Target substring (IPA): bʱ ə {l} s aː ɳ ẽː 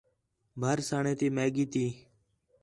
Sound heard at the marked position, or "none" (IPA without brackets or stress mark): ɾ